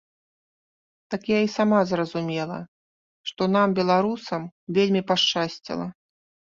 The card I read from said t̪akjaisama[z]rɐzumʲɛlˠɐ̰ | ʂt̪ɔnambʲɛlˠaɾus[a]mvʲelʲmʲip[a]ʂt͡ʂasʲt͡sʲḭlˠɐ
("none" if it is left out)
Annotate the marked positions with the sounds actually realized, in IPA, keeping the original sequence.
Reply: z, ɐ, a

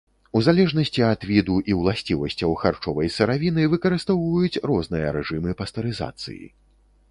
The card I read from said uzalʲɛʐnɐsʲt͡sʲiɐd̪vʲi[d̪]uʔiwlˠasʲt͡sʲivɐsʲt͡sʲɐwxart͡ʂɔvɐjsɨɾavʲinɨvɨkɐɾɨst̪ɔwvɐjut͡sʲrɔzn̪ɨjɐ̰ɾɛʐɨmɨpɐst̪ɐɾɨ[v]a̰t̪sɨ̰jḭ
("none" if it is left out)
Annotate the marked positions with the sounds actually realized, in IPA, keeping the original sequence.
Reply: d̪, z

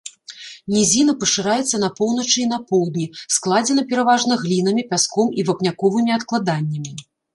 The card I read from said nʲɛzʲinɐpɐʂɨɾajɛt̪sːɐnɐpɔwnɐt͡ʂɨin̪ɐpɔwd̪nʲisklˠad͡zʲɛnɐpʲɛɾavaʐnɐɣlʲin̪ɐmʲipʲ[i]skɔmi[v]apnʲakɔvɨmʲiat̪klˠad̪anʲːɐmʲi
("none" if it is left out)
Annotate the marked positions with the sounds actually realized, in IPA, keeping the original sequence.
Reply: a, v

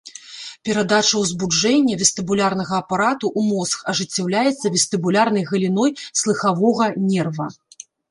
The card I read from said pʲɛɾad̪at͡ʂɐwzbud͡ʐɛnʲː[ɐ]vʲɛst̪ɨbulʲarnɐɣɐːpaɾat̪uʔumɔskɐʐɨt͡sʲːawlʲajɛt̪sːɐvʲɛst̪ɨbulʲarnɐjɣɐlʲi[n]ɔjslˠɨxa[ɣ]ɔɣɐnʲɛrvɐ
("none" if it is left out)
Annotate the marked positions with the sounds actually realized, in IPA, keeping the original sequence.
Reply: ɐ, n, v

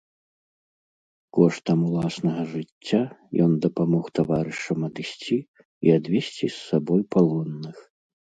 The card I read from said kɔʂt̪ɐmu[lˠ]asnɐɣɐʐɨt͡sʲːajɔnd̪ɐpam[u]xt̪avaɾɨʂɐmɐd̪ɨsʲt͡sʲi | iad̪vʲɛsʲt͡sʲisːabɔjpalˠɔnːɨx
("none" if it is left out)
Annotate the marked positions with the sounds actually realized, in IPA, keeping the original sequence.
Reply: lˠ, ɔ

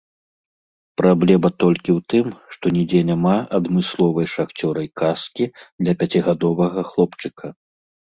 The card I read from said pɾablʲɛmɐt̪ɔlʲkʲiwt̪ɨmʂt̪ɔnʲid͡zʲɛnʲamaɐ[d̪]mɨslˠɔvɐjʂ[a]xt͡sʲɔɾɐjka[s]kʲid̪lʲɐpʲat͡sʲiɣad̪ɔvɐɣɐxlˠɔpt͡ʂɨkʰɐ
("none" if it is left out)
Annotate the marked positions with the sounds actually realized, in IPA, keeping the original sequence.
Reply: d̪, a, s

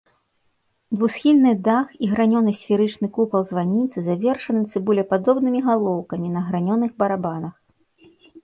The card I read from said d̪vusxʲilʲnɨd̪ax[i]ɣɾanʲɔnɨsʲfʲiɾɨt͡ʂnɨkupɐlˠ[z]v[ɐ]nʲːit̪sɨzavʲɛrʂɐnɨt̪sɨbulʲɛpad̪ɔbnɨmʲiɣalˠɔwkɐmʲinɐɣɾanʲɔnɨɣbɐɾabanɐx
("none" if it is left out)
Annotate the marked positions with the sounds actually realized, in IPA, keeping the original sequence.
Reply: i, z, a

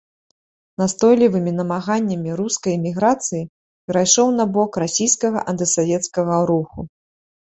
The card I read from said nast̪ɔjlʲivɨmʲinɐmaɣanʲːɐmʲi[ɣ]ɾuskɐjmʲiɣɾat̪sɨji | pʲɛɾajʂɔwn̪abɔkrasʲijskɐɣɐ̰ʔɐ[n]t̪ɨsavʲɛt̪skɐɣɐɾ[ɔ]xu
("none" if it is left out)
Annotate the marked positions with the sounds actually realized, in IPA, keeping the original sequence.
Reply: none, n, u

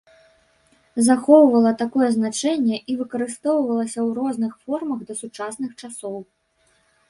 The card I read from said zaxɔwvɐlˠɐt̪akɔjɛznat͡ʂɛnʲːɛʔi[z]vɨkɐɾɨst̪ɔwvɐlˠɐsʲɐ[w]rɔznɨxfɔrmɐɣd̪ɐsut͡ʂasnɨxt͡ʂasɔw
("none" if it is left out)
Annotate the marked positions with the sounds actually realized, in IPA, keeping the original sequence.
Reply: none, w

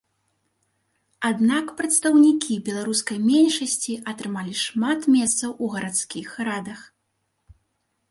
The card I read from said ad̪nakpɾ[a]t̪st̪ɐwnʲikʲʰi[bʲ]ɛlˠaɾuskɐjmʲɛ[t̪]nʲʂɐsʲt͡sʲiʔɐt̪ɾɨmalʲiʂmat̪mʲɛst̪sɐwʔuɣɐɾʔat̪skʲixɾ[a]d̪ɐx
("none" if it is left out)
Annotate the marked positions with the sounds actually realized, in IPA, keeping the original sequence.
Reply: ɐ, bʲ, none, a

